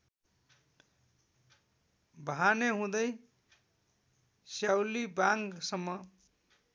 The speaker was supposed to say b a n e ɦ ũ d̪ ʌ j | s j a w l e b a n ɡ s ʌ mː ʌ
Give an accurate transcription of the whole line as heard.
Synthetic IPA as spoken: b a n e ɦ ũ d̪ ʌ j | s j a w l i b a ŋ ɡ s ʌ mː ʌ